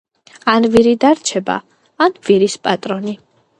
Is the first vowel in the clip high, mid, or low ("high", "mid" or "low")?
low